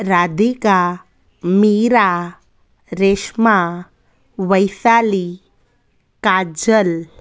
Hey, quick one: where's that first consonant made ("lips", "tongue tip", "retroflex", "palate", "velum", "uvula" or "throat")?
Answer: tongue tip